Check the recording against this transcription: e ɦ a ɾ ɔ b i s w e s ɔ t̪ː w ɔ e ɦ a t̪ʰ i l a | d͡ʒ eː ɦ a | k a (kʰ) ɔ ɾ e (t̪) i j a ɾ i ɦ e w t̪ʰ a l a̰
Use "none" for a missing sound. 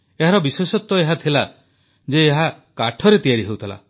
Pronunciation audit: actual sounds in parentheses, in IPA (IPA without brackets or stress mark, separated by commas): ʈʰ, t̪